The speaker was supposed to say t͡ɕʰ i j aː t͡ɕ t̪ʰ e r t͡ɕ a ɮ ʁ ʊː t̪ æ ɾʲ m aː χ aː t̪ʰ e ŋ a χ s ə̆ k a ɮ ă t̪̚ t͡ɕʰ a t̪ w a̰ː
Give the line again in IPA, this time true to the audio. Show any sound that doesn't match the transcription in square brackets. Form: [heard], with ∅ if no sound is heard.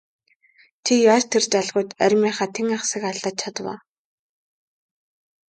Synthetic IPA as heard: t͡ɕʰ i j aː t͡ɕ t̪ʰ e r t͡ɕ a ɮ ʁ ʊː t̪ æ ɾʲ m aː χ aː t̪ʰ e ŋ a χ s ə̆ k a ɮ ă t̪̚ t͡ɕʰ a t̪ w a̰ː